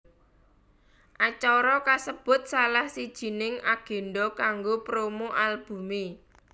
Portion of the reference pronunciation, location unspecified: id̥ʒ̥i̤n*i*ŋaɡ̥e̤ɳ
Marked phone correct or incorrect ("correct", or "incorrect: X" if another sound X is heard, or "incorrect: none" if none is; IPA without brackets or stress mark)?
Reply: incorrect: ɪ